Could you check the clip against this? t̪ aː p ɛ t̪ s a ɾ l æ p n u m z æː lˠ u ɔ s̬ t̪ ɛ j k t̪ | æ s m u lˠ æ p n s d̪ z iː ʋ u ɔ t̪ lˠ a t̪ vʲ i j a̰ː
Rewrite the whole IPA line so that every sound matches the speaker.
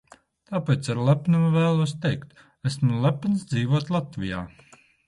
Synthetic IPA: t̪ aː p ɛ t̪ s a ɾ l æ p n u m v æː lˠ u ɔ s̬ t̪ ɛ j k t̪ | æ s m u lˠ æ p n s d̪ z iː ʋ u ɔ t̪ lˠ a t̪ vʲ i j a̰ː

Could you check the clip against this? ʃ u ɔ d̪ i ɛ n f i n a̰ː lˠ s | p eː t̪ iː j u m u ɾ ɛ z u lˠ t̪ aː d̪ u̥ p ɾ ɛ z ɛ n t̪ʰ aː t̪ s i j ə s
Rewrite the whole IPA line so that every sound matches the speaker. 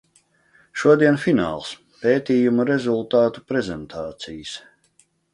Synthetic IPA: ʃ u ɔ d̪ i ɛ n f i n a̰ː lˠ s | p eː t̪ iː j u m u ɾ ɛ z u lˠ t̪ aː t̪ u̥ p ɾ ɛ z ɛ n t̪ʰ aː t̪ s i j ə s

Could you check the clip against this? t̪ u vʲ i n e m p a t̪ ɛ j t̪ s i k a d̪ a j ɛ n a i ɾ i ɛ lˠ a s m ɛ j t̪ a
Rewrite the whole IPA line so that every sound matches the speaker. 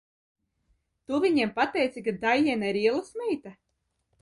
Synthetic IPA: t̪ u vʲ i ɲ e m p a t̪ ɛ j t̪ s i k a d̪ a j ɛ n a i ɾ i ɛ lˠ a s m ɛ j t̪ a

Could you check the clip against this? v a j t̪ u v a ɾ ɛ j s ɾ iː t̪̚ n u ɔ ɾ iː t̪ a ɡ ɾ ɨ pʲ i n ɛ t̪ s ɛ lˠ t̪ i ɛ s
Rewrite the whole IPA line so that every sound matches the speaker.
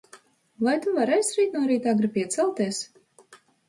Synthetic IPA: v a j t̪ u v a ɾ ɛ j s ɾ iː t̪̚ n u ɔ ɾ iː t̪ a ɡ ɾ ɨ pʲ i ɛ t̪ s ɛ lˠ t̪ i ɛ s

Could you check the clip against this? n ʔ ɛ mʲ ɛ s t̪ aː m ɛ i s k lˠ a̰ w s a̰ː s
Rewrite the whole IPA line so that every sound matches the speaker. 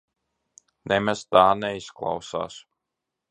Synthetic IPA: n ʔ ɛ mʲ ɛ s t̪ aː n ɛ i s k lˠ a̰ w s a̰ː s

